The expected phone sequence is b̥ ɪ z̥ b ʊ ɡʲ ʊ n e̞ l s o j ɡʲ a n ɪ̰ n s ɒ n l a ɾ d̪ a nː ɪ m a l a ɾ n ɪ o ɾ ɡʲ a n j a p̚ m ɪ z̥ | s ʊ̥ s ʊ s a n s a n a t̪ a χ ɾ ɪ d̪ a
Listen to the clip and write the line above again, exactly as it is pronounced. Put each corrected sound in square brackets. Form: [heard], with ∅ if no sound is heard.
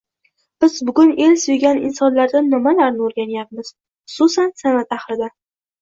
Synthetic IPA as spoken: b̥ ɪ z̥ b ʊ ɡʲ ʊ n e̞ l s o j ɡʲ a n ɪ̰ n s ɒ n l a ɾ d̪ a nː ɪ m a l a ɾ n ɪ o ɾ ɡʲ a n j a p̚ m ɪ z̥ | [χ] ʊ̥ s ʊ s a n s a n a t̪ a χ ɾ ɪ d̪ a